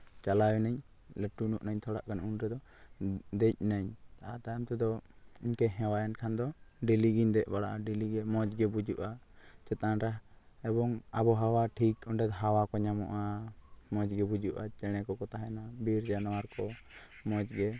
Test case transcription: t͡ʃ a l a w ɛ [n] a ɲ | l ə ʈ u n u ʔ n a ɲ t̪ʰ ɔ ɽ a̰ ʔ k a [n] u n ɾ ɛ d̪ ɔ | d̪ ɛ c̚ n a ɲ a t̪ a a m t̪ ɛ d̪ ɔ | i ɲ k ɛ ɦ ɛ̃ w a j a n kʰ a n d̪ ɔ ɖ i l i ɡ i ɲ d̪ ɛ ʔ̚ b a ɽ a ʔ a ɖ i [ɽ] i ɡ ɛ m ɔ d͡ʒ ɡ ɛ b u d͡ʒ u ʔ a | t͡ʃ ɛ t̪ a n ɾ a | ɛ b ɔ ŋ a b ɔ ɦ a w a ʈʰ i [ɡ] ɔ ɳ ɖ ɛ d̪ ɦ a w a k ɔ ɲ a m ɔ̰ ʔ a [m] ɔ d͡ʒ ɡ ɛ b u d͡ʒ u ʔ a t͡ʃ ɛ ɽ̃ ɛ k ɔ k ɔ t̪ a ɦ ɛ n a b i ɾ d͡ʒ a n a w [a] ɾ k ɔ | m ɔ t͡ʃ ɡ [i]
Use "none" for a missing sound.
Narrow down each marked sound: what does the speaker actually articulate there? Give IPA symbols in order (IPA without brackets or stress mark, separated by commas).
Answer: n, n, l, k, m, a, ɛ